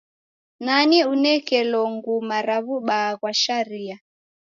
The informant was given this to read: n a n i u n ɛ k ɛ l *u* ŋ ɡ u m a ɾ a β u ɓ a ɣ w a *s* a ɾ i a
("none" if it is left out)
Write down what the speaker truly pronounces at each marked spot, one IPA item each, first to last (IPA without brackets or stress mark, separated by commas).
ɔ, ʃ